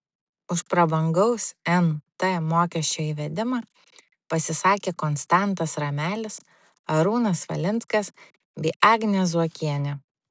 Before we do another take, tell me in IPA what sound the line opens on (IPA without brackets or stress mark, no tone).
ʊ